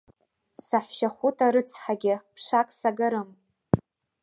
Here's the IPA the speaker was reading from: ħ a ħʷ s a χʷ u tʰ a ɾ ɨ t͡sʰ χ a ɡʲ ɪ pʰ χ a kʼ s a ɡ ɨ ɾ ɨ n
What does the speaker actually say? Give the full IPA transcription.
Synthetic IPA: s a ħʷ ʃ a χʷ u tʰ a ɾ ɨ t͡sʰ ħ a ɡʲ ɪ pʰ ʂ a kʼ s a ɡ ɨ ɾ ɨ m

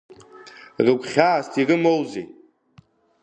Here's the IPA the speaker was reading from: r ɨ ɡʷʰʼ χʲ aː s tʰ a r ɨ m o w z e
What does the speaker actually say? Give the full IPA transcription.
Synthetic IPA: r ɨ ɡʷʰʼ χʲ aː s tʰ i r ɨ m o w z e

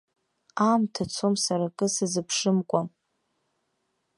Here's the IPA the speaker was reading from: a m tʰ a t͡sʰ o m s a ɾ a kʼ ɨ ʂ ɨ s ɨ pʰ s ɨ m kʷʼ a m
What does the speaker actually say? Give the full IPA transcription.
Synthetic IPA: a m tʰ a t͡sʰ o m s a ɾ a kʼ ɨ s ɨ z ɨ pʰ ʂ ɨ m kʷʼ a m

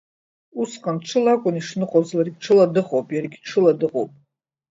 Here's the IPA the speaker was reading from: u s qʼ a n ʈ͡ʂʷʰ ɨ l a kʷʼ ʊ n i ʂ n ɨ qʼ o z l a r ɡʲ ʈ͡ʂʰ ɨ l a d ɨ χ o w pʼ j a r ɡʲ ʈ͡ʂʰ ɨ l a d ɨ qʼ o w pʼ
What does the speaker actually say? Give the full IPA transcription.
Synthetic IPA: u s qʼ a n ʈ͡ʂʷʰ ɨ l a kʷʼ ʊ n i ʂ n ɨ qʼ o z l a r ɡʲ ʈ͡ʂʰ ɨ l a d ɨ χ o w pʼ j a r ɡʲ ʈ͡ʂʰ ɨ l a d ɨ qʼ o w pʼ

